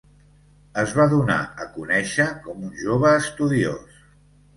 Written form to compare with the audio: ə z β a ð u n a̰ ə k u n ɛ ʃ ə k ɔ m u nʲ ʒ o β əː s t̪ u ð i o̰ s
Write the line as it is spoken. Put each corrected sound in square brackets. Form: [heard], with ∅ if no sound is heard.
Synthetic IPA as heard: ə z β a ð u n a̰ ə k u n ɛ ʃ ə k ɔ m u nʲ ʒ o β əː s t̪ u ð i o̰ s